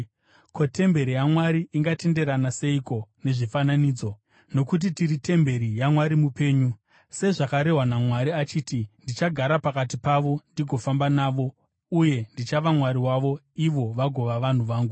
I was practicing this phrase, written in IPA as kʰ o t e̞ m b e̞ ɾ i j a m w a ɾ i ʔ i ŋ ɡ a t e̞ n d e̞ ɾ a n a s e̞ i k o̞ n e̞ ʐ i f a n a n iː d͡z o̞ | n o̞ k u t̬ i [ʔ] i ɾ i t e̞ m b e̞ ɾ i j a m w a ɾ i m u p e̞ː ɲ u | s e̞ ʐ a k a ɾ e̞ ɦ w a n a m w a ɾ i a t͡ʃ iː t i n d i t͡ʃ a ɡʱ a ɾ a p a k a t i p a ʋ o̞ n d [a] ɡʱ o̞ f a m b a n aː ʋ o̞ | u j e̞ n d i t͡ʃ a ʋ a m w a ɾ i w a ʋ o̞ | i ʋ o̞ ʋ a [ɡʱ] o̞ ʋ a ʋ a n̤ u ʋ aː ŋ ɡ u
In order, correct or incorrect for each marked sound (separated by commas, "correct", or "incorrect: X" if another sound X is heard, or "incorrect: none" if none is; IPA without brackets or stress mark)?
incorrect: t, incorrect: i, correct